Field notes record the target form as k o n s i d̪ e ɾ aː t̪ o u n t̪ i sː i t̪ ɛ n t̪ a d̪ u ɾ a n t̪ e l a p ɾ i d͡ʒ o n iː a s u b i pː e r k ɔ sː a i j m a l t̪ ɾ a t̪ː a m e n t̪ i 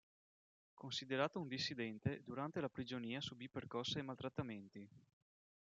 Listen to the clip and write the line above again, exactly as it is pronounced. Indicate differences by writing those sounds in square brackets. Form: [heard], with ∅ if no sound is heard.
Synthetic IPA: k o n s i d̪ e ɾ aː t̪ o u n [d̪] i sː i [d̪] ɛ n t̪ [e] d̪ u ɾ a n t̪ e l a p ɾ i d͡ʒ o n iː a s u b i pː e r k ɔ sː a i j m a l t̪ ɾ a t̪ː a m e n t̪ i